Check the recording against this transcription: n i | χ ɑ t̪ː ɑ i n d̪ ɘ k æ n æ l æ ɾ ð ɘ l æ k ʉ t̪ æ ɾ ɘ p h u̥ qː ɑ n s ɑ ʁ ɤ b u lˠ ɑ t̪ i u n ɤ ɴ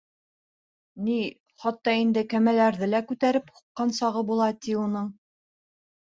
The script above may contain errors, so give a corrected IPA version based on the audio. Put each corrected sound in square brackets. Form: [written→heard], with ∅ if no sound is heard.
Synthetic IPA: n i | χ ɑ t̪ː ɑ i n d̪ ɘ k æ [n→m] æ l æ ɾ ð ɘ l æ k ʉ t̪ æ ɾ ɘ p h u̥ qː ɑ n s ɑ ʁ ɤ b u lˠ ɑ t̪ i u n ɤ ɴ